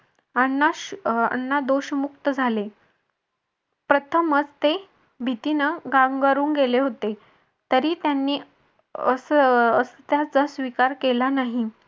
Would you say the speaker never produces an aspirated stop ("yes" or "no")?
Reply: no